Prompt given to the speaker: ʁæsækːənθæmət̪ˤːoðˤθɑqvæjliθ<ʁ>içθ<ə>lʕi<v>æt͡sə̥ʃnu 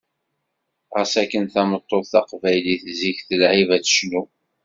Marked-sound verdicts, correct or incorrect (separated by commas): incorrect, correct, correct